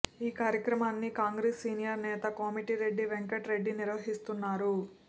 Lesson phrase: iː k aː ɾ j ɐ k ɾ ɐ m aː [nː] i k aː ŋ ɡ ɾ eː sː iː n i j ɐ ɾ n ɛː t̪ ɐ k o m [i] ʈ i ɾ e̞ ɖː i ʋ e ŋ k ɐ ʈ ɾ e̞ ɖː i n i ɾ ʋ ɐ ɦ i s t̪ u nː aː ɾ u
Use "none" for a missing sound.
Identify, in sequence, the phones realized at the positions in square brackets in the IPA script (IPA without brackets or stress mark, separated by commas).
nː, i